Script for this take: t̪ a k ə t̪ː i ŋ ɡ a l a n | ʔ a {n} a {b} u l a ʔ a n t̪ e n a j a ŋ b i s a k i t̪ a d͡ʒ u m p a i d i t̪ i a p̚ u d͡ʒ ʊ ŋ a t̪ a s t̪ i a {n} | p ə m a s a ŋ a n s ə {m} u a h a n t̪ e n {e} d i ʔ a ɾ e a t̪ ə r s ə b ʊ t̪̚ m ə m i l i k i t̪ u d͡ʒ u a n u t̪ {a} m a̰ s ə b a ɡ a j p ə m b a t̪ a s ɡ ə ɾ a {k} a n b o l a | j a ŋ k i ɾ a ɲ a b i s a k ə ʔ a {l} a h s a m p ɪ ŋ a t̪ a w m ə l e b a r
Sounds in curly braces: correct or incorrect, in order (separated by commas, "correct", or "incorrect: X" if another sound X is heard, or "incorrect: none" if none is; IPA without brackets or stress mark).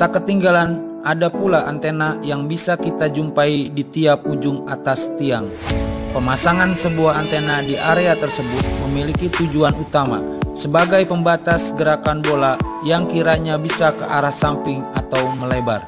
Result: incorrect: d, incorrect: p, incorrect: ŋ, incorrect: b, incorrect: a, correct, correct, incorrect: ɾ